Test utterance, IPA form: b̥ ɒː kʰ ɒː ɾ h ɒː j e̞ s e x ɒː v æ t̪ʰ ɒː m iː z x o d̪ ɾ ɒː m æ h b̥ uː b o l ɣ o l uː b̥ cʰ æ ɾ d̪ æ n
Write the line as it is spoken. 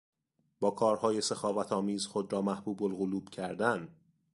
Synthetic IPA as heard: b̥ ɒː kʰ ɒː ɾ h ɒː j e̞ s e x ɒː v æ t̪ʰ ɒː m iː z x o d̪ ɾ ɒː m æ h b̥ uː b o l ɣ o l uː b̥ cʰ æ ɾ d̪ æ n